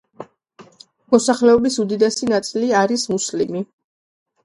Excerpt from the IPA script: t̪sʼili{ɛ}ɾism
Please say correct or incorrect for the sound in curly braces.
incorrect: a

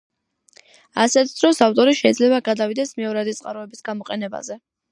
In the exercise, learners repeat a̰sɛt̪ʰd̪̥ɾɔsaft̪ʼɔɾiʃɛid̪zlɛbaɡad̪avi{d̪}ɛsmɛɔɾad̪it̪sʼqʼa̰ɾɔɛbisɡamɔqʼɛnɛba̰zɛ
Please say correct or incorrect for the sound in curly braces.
correct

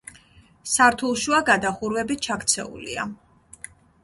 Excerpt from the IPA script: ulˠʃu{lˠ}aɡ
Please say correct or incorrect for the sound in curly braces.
incorrect: none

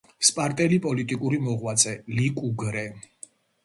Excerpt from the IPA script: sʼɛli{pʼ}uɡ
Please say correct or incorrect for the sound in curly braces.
incorrect: kʼ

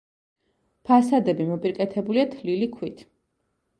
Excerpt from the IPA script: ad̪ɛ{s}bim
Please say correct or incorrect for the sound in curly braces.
incorrect: none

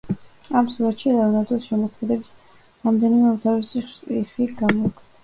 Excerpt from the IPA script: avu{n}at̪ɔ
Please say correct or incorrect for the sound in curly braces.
correct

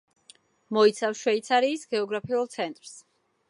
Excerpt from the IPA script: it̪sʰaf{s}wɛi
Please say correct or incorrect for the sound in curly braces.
incorrect: ʃ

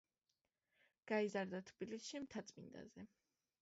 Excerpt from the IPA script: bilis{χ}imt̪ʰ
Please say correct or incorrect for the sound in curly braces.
incorrect: ʃ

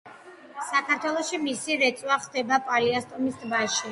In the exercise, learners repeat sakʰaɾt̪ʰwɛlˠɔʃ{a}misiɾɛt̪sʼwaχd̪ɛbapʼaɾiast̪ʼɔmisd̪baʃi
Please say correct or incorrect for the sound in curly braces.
incorrect: i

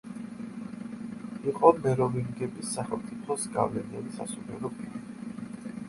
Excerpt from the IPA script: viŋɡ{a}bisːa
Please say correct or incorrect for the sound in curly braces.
incorrect: ɛ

